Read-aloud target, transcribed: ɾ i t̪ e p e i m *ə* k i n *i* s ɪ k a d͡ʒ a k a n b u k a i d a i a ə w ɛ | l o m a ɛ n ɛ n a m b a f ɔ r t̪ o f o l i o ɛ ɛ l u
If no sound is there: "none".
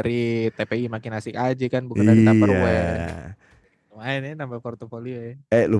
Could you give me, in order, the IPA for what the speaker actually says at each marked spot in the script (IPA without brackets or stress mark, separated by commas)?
a, a